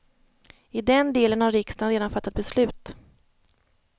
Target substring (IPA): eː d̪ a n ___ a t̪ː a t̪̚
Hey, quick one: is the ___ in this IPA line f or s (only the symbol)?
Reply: f